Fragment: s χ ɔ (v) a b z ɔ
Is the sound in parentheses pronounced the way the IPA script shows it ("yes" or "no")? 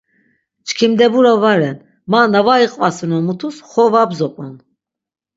yes